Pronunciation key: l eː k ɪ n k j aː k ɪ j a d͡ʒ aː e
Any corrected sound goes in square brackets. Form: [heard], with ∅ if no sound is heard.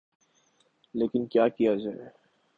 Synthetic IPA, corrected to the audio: l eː k ɪ n k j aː k [i] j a d͡ʒ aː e

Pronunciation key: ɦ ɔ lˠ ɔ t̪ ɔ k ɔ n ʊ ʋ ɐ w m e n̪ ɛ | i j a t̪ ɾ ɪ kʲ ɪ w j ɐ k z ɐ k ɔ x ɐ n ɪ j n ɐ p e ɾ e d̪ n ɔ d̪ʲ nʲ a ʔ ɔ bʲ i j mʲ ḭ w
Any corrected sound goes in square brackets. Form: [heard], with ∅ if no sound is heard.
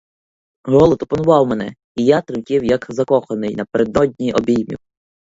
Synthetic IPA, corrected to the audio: ɦ ɔ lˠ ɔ t̪ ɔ [p] ɔ n ʊ ʋ [ɑ] w m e n̪ ɛ | i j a t̪ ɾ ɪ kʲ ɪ w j ɐ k z ɐ k ɔ x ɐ n ɪ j n ɐ p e ɾ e d̪ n ɔ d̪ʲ nʲ [i] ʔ ɔ bʲ i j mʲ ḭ w

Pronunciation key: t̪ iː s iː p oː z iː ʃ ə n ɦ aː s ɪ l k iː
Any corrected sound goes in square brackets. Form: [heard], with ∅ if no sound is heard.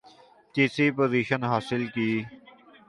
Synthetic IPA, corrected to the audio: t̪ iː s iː p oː z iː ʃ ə n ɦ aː s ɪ l k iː

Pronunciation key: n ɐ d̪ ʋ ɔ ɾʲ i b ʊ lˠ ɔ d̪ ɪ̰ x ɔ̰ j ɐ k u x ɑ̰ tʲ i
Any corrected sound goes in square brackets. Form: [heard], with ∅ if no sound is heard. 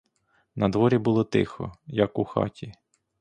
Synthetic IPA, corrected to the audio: n ɐ d̪ ʋ ɔ ɾʲ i b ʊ lˠ ɔ [t̪] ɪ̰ x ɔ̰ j ɐ k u x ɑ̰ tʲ i

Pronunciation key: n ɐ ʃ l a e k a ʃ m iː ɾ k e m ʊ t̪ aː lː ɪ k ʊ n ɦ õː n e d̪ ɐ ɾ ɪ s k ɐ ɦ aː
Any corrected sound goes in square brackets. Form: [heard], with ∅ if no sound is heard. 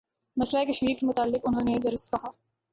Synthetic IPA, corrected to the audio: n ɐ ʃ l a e k [ɐ] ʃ m iː ɾ k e m ʊ t̪ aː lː ɪ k ʊ n ɦ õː n e d̪ ɐ ɾ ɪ s k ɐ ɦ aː

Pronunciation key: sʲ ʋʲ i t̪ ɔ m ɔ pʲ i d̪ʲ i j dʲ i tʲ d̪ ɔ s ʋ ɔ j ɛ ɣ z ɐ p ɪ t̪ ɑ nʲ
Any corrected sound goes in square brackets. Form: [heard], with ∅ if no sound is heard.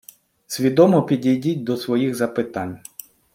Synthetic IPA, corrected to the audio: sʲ ʋʲ i [d̪] ɔ m ɔ pʲ i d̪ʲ i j dʲ i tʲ d̪ ɔ s ʋ ɔ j [i] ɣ z ɐ p ɪ t̪ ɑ nʲ

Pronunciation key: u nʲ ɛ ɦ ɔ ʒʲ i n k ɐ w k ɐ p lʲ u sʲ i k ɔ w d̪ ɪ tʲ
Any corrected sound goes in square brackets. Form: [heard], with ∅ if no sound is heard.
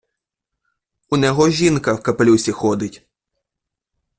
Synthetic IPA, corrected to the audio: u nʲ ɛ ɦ ɔ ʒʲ i n k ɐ w k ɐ p lʲ u sʲ i [x] ɔ [∅] d̪ ɪ tʲ

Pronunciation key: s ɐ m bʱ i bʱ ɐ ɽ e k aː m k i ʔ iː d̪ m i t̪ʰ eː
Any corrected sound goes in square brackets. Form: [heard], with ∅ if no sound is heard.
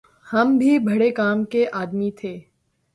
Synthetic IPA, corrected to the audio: [h] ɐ m bʱ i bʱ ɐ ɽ e k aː m k [e] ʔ [aː] d̪ m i t̪ʰ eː

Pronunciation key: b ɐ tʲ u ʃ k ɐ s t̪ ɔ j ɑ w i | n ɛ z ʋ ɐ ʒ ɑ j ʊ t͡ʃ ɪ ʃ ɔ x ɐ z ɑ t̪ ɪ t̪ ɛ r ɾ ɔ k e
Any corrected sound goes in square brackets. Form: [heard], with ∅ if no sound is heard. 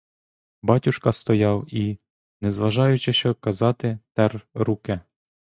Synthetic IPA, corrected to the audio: b [ɑ] tʲ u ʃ k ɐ s t̪ ɔ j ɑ w i | n ɛ z ʋ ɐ ʒ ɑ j ʊ t͡ʃ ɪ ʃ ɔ [k] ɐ z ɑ t̪ ɪ t̪ ɛ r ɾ [u] k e

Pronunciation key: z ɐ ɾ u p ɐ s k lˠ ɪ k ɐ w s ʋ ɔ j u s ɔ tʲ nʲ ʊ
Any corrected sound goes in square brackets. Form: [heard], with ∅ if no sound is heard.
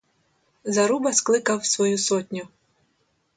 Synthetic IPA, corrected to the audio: z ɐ ɾ u [b] ɐ s k lˠ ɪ k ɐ w s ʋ ɔ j u s ɔ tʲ nʲ ʊ

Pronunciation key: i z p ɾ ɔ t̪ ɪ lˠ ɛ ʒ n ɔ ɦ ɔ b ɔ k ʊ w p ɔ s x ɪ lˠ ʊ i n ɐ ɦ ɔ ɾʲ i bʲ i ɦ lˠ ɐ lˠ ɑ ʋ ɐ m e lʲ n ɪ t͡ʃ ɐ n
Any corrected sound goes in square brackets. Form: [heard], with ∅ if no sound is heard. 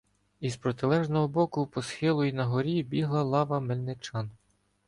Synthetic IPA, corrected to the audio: i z p ɾ ɔ t̪ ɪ lˠ ɛ ʒ n ɔ ɦ ɔ b ɔ k ʊ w p ɔ s x ɪ lˠ ʊ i n ɐ ɦ ɔ ɾʲ i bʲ i ɦ lˠ ɐ lˠ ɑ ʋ ɐ m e lʲ n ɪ t͡ʃ [ɑ] n

